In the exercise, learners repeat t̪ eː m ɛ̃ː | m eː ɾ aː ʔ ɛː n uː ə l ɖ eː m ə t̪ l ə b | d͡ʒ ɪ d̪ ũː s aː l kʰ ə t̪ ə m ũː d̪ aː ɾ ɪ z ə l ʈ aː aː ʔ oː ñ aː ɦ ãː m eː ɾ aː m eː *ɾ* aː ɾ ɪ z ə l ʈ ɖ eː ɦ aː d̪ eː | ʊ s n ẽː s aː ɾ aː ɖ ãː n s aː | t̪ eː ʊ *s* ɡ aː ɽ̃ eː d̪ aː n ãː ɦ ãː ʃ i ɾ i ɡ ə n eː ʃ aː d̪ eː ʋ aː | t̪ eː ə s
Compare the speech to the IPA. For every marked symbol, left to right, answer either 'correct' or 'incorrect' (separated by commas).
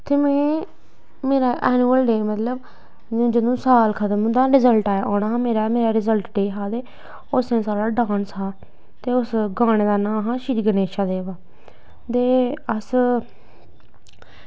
correct, correct